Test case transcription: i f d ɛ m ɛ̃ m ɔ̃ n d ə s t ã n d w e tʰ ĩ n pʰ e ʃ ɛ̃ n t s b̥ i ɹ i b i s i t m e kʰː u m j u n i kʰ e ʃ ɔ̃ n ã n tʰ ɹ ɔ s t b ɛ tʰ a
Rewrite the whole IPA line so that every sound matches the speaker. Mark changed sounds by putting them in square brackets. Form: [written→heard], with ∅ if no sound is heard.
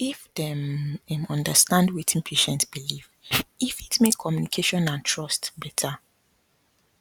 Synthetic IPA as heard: i f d ɛ m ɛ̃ m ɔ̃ n d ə s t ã n d w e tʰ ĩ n pʰ e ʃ ɛ̃ n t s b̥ i [ɹ→l] i [b→v] i [s→f] i t m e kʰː [u→ɔ] m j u n i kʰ e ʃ ɔ̃ n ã n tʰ ɹ ɔ s t b ɛ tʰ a